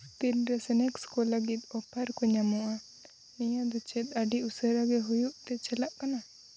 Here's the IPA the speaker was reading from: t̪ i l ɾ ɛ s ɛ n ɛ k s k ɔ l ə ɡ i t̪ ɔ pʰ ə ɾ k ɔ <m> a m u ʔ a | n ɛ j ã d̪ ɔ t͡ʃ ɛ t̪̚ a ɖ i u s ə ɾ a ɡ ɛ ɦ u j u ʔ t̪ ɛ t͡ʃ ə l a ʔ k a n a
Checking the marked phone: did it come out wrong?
yes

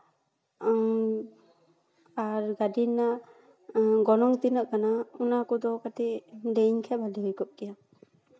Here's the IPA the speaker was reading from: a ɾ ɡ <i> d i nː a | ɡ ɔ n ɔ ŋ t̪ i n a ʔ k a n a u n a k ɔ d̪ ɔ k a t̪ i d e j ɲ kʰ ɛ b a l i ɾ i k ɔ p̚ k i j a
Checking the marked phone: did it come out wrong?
yes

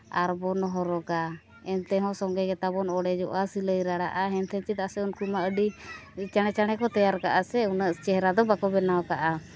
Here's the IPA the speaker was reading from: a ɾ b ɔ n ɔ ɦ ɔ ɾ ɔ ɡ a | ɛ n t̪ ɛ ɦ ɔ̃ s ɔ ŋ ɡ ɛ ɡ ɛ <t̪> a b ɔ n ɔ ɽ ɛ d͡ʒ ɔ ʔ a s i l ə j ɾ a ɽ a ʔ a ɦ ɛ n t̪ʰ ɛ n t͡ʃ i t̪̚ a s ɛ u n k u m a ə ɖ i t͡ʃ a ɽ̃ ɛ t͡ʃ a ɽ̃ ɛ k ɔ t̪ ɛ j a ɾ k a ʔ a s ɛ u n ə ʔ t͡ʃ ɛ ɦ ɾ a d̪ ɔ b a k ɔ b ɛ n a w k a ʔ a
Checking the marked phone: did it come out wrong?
no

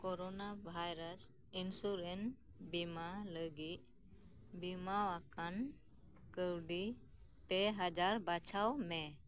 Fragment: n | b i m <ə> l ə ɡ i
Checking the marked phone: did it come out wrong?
yes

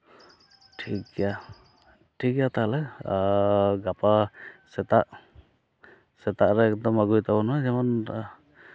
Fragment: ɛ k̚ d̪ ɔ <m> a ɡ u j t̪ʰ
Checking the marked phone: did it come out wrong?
no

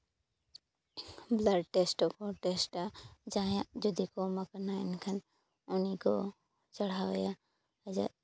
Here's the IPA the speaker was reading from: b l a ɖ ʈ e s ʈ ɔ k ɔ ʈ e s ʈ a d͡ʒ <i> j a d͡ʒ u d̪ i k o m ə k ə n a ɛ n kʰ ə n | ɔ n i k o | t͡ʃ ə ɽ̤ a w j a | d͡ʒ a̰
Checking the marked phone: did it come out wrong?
yes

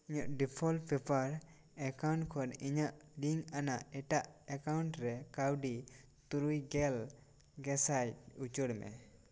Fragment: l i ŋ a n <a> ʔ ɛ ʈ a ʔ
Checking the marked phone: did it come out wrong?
no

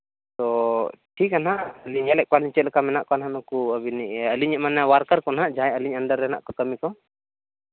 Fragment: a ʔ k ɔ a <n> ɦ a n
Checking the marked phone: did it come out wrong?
no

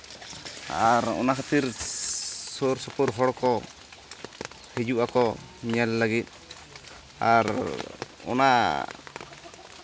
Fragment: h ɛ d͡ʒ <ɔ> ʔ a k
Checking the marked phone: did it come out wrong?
yes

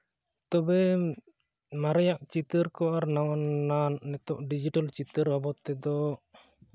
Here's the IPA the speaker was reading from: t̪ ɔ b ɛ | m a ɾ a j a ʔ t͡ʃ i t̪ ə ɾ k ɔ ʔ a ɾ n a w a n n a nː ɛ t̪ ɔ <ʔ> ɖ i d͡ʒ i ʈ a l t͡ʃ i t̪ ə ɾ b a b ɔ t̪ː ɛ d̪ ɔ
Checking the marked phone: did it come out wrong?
no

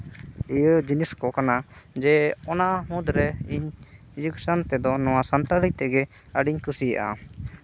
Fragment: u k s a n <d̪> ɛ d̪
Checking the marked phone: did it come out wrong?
yes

